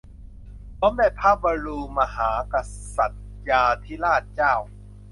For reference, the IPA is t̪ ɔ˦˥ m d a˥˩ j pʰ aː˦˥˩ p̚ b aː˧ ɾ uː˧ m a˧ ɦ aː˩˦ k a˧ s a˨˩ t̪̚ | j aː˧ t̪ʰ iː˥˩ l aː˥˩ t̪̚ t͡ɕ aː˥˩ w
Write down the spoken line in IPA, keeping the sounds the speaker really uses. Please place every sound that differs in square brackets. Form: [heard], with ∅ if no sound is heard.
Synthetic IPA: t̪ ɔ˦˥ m d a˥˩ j pʰ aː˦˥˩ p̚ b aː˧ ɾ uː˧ m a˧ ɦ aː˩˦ k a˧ s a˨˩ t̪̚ | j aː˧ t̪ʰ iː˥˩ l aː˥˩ t̪̚ t͡ɕ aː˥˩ w